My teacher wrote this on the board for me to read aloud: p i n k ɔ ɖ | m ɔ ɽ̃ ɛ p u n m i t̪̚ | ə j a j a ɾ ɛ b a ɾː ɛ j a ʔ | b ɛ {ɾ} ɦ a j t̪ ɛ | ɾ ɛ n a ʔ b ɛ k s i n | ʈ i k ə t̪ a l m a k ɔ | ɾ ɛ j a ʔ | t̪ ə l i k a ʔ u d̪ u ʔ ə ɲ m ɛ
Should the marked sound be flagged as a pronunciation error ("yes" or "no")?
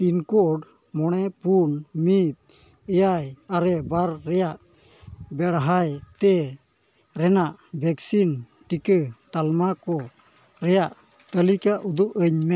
yes